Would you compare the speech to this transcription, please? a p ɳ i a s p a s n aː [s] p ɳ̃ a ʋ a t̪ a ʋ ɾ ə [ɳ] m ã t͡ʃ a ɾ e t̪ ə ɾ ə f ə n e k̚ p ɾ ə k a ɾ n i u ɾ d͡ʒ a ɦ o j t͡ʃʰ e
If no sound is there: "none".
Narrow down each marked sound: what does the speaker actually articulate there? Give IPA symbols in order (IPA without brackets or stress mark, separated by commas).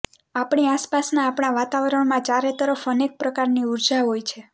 none, ɳ